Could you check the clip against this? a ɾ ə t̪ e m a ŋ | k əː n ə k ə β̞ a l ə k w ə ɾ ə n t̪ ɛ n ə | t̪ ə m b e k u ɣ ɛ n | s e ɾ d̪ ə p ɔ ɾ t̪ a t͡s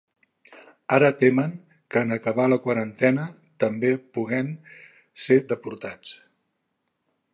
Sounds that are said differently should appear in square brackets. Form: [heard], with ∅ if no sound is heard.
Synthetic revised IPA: a ɾ ə t̪ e m [ə] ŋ | k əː n ə k ə β̞ a l ə k w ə ɾ ə n t̪ ɛ n ə | t̪ ə m b e [p] u ɣ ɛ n | s e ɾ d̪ ə p [u] ɾ t̪ a t͡s